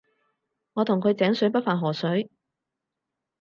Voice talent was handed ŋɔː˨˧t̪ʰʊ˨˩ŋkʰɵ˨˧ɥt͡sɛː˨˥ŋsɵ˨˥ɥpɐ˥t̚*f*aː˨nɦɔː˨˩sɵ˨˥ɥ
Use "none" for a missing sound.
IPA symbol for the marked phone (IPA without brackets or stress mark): f